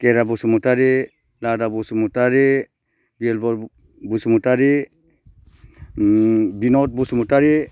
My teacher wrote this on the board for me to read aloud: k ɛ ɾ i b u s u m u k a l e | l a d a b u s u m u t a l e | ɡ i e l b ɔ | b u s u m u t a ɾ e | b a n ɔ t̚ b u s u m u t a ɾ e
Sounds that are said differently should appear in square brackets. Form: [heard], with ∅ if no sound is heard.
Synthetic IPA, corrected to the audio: k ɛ ɾ [a] b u s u m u [t] a [ɾ] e | l a d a b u s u m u t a [ɾ] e | [b] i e l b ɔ | b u s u m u t a ɾ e | b [i] n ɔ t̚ b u s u m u t a ɾ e